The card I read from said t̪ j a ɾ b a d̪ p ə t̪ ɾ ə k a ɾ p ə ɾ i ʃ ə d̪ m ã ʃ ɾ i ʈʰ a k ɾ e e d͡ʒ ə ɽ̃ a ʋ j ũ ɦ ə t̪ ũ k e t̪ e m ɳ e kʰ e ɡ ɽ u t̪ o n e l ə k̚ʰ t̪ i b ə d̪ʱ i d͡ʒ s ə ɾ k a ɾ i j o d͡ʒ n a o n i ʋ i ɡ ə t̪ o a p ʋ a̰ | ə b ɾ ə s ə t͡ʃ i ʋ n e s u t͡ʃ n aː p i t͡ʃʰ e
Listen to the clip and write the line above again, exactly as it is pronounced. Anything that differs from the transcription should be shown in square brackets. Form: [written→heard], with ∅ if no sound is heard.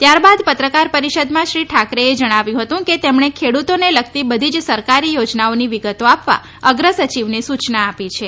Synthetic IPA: t̪ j a ɾ b a d̪ p ə t̪ ɾ ə k a ɾ p ə ɾ i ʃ ə d̪ m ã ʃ ɾ i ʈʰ a k ɾ e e d͡ʒ ə ɽ̃ a ʋ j ũ ɦ ə t̪ ũ k e t̪ e m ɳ e kʰ e [ɡ→∅] ɽ u t̪ o n e l ə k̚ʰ t̪ i b ə d̪ʱ i d͡ʒ s ə ɾ k a ɾ i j o d͡ʒ n a o n i ʋ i ɡ ə t̪ o a p ʋ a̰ | ə [b→ɡ] ɾ ə s ə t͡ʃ i ʋ n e s u t͡ʃ n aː p i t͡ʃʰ e